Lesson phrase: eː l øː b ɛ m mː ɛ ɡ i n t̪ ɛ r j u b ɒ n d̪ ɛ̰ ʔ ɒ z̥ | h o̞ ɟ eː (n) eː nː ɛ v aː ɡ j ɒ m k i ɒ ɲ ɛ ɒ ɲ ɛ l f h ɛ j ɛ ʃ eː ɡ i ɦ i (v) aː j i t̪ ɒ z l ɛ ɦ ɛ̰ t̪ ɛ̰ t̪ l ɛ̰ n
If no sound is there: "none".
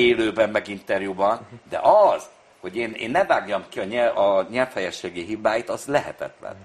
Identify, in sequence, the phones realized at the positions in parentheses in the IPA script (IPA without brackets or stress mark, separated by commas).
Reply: n, b